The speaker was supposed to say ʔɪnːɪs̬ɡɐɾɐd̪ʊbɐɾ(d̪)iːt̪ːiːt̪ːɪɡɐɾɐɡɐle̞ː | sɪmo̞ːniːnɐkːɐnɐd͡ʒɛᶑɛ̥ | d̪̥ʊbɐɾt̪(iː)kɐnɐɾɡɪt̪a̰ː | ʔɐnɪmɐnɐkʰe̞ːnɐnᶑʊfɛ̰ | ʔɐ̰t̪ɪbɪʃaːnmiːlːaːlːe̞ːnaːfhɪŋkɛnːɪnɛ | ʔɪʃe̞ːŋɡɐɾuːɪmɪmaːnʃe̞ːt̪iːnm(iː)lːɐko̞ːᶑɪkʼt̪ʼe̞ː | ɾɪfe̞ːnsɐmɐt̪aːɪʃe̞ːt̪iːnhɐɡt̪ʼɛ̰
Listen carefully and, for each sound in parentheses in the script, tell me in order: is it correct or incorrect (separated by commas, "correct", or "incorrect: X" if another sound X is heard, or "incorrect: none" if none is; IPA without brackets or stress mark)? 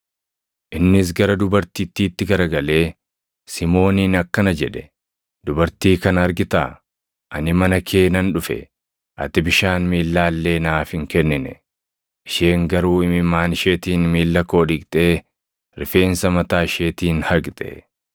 incorrect: t̪, correct, correct